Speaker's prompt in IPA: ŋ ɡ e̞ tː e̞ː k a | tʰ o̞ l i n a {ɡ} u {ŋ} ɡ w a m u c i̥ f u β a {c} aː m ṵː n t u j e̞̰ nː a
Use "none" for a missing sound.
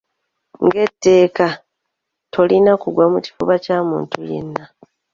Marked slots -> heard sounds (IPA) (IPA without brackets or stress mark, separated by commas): k, none, c